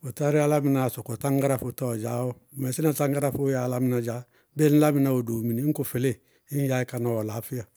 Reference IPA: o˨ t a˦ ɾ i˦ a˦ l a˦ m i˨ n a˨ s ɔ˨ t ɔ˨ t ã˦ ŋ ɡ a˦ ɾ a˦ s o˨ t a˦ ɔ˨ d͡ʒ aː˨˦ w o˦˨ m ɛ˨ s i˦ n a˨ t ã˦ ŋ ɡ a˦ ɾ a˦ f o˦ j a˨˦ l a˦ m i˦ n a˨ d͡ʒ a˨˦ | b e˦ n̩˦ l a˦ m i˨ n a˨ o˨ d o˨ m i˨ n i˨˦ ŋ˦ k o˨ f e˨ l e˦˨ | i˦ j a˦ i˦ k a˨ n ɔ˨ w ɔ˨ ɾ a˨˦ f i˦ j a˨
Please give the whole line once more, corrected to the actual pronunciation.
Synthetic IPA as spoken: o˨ t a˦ ɾ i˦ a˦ l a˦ m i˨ n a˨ s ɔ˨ k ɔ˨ t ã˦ ŋ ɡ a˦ ɾ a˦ f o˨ t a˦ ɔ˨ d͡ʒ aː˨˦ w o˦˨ m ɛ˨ s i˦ n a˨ t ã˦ ŋ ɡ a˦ ɾ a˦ f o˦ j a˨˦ l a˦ m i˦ n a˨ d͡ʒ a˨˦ | b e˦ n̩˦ l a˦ m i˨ n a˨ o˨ d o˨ m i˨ n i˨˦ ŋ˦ k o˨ f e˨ l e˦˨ | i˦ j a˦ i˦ k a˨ n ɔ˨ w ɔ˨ l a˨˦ f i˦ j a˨